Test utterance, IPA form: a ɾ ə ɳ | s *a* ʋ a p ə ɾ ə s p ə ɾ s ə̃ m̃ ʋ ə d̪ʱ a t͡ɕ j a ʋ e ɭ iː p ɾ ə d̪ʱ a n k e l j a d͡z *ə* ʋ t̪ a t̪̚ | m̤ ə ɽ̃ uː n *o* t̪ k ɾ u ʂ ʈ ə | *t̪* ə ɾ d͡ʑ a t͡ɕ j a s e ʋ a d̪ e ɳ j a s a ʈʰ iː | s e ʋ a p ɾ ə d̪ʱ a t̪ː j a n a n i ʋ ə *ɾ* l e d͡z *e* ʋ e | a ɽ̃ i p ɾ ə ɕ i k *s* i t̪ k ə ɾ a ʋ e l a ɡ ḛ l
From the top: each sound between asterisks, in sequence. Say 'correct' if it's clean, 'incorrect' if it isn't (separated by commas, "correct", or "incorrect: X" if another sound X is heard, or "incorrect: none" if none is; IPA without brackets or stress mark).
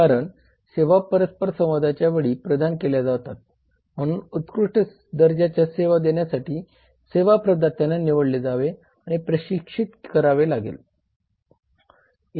incorrect: e, incorrect: a, incorrect: u, incorrect: d̪, incorrect: ɽ, incorrect: a, incorrect: ʂ